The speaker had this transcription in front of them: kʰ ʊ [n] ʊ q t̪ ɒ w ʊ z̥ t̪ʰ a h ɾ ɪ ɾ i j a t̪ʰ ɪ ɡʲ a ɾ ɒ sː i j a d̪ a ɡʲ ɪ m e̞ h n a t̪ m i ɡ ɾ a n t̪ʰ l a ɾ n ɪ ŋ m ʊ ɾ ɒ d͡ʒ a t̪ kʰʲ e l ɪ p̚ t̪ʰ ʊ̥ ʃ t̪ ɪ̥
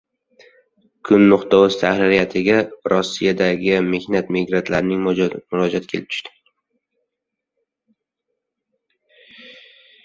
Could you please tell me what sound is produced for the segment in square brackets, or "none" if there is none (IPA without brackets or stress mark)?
nː